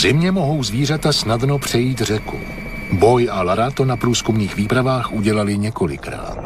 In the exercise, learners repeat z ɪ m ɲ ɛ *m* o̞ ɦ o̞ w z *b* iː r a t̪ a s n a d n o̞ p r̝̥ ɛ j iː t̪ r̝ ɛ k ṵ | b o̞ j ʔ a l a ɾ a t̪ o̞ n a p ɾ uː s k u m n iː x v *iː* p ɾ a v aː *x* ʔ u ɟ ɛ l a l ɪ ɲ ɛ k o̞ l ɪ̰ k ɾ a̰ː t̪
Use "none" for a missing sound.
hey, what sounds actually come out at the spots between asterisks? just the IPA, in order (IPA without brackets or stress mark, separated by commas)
m, v, iː, x